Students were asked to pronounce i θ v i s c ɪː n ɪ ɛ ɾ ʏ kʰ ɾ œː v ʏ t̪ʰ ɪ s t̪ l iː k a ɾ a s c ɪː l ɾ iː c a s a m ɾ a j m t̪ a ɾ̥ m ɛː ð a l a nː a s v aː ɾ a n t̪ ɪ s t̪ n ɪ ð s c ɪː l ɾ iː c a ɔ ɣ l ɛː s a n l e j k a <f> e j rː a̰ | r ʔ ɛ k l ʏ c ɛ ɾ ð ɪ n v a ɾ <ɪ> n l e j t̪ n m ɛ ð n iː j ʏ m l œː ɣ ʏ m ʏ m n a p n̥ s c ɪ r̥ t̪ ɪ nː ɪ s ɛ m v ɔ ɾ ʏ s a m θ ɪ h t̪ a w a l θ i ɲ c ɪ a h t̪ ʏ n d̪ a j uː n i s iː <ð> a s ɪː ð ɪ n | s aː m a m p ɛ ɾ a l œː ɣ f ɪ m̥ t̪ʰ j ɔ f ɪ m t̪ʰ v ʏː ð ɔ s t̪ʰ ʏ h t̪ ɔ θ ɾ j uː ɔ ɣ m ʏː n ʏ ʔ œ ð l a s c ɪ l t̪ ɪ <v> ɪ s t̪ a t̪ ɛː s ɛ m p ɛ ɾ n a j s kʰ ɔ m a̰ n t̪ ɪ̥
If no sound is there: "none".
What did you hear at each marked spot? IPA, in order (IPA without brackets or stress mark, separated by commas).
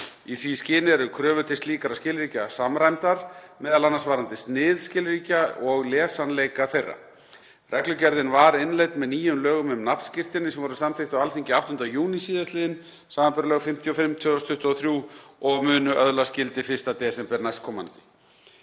θ, ɪ, ð, f